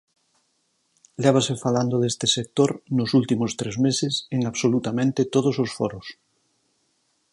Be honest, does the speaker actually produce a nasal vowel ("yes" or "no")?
yes